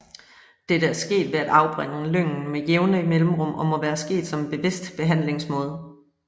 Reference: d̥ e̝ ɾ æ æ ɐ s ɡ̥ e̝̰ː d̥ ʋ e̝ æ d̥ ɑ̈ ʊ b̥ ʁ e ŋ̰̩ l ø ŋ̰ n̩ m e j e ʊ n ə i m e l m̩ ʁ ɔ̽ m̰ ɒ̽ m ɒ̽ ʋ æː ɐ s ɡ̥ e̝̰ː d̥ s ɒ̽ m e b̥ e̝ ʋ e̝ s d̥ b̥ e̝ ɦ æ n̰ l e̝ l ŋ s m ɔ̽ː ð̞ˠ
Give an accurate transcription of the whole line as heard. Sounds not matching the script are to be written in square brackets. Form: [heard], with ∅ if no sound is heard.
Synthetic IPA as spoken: d̥ e̝ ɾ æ æ ɐ s ɡ̥ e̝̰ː d̥ ʋ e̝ æ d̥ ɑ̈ ʊ b̥ ʁ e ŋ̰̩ l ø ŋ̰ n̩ m e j e ʊ n ə i m e l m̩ ʁ ɔ̽ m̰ ɒ̽ m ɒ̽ ʋ æː ɐ s ɡ̥ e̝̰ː d̥ s ɒ̽ m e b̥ e̝ ʋ e̝ s d̥ b̥ e̝ ɦ æ n̰ l e̝ [∅] ŋ s m ɔ̽ː ð̞ˠ